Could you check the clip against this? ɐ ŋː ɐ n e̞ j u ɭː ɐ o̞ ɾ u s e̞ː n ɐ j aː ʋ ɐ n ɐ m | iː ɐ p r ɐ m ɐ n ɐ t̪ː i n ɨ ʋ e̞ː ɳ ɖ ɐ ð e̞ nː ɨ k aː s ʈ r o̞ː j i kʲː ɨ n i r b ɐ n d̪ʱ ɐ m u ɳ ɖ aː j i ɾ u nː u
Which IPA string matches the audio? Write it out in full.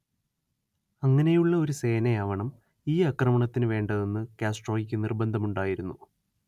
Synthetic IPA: ɐ ŋː ɐ n e̞ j u ɭː ɐ o̞ ɾ u s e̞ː n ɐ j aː ʋ ɐ ɳ ɐ m | iː ɐ k r ɐ m ɐ ɳ ɐ t̪ː i n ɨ ʋ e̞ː ɳ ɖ ɐ ð e̞ nː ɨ k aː s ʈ r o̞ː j i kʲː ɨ n i r b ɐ n d̪ʱ ɐ m u ɳ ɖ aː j i ɾ u nː u